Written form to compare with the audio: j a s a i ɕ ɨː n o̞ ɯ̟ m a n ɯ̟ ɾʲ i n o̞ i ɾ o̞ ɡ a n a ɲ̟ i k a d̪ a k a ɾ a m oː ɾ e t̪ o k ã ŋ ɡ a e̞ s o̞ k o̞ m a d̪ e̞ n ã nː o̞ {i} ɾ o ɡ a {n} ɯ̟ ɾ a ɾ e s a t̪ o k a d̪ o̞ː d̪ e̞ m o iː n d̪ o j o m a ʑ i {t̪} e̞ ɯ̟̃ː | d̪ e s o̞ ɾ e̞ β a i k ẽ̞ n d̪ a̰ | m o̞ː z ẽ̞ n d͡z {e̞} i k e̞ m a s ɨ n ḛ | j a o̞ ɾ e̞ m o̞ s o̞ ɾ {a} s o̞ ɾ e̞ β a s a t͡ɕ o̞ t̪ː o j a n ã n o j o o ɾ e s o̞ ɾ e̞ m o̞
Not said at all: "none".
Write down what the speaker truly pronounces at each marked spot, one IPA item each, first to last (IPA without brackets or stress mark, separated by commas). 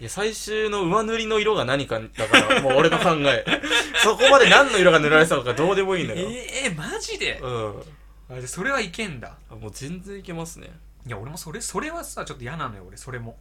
i, n, d̪, ẽ̞, e